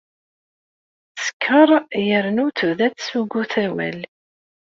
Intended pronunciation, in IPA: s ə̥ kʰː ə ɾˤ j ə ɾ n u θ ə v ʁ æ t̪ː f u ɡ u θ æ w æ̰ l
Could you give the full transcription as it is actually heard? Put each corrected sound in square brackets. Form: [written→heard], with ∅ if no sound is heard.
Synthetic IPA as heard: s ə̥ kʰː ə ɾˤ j ə ɾ n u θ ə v [ʁ→ð] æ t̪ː [f→s] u ɡ u θ æ w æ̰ l